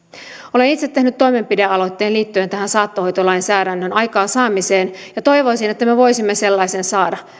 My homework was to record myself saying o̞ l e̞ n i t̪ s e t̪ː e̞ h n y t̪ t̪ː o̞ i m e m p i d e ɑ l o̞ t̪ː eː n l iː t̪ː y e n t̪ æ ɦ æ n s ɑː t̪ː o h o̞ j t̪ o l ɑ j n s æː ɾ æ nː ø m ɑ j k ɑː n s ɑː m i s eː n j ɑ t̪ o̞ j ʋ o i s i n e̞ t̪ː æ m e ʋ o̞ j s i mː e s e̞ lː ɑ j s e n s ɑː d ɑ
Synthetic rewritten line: o̞ l e̞ n i t̪ s e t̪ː e̞ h n y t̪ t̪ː o̞ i m e m p i d e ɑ l o̞ t̪ː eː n l iː t̪ː y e n t̪ æ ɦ æ n s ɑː t̪ː o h o̞ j t̪ o l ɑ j n s æː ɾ æ nː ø n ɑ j k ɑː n s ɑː m i s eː n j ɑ t̪ o̞ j ʋ o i s i n e̞ t̪ː æ m e ʋ o̞ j s i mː e s e̞ lː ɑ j s e n s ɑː d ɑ